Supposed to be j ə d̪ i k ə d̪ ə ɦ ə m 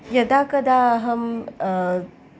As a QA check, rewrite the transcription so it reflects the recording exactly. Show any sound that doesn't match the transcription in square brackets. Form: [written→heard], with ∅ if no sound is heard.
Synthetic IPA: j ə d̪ [i→a] k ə d̪ [ə→a] ɦ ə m